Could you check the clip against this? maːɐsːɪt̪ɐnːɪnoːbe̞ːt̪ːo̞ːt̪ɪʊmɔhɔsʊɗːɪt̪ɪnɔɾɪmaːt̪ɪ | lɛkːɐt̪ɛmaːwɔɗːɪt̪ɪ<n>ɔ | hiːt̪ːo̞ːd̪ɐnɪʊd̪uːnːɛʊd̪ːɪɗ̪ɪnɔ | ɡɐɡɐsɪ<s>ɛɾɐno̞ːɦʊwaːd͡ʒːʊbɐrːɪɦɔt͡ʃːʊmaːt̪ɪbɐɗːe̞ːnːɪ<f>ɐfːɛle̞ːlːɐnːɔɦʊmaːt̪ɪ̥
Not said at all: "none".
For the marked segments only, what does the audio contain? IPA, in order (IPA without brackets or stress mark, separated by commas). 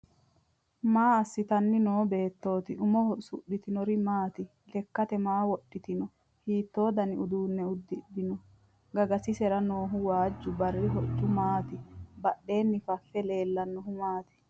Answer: n, s, f